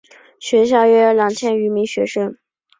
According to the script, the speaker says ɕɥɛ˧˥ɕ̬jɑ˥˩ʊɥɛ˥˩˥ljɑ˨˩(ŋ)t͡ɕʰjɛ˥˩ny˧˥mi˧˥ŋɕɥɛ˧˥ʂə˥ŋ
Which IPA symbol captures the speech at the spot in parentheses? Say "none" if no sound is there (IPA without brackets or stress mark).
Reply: ŋ